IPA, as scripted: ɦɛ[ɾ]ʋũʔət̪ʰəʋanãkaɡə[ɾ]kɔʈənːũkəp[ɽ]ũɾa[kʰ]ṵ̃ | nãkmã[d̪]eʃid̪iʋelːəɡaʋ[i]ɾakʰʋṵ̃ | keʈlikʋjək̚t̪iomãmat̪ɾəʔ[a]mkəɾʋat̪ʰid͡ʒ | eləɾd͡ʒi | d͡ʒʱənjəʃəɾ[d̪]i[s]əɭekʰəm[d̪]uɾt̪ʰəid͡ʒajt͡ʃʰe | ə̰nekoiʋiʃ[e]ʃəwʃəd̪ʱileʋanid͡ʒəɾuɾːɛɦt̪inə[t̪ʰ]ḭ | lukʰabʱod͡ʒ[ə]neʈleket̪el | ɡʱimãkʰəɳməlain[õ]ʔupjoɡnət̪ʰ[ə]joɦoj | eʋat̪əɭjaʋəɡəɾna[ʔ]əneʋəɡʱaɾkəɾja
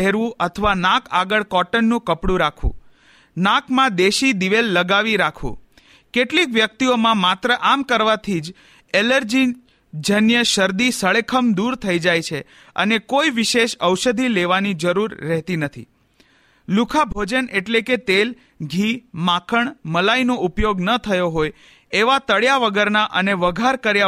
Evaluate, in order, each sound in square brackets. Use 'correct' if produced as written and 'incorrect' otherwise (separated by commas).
correct, incorrect, correct, correct, correct, correct, correct, correct, correct, correct, correct, correct, correct, incorrect, correct, correct